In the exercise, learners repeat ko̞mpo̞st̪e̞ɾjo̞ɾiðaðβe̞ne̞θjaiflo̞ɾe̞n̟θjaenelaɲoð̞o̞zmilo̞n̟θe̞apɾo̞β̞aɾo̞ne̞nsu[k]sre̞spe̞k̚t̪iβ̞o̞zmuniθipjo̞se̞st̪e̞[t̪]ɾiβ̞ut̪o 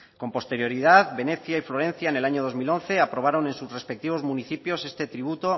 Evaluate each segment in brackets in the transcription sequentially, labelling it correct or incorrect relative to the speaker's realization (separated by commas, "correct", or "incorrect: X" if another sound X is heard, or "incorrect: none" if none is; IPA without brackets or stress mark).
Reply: incorrect: none, correct